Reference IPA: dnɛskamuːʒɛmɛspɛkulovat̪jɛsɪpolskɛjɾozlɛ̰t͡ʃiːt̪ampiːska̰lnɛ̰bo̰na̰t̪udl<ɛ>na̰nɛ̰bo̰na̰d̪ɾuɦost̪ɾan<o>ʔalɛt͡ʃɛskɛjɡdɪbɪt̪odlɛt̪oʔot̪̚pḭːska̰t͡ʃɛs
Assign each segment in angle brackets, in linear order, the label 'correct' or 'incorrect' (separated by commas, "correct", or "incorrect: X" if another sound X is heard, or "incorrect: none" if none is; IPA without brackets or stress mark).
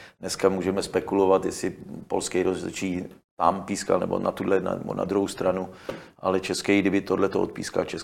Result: correct, incorrect: u